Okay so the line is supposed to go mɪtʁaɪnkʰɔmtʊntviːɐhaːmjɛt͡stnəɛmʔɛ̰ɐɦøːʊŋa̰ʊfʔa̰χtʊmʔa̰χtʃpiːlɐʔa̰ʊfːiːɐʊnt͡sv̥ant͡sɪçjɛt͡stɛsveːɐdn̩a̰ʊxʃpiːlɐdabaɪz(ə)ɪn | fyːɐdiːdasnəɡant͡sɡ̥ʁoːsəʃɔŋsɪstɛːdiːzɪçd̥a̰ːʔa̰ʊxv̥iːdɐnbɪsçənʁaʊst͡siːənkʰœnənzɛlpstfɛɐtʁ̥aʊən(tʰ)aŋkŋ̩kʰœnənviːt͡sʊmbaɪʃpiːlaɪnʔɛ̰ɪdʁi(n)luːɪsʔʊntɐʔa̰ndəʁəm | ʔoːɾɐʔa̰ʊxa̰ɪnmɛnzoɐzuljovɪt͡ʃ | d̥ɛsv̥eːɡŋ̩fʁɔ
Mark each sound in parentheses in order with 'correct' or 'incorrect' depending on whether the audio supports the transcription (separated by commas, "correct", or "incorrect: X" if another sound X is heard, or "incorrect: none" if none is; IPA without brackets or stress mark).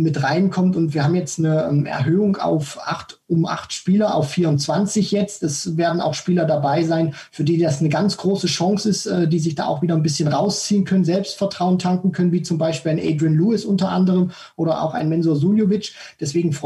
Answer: incorrect: a, correct, correct